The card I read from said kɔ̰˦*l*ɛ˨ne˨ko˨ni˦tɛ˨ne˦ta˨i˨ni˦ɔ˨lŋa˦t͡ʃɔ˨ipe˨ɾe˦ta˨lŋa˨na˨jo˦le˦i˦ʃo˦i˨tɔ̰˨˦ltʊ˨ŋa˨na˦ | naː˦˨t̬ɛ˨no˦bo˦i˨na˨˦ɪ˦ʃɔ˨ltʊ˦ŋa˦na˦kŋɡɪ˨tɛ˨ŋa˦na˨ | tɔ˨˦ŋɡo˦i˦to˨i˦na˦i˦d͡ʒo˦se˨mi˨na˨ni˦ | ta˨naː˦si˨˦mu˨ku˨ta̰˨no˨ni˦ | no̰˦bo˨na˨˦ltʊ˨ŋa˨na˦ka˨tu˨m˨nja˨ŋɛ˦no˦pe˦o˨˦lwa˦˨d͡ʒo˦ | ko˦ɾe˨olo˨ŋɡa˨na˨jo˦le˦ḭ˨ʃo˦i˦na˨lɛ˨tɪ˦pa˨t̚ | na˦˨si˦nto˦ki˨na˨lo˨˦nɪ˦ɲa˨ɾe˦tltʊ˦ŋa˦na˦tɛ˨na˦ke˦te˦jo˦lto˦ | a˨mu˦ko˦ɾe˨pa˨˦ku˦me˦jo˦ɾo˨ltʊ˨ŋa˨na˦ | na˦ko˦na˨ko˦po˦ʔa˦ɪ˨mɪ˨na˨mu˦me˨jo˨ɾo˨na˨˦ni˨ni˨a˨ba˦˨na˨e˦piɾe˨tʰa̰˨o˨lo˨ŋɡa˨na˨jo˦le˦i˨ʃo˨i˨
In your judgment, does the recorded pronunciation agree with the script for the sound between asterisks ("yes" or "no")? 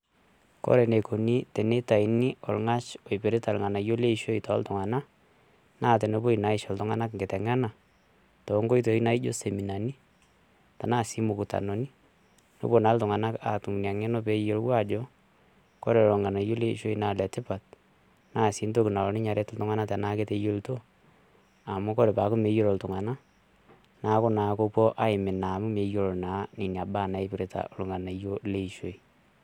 no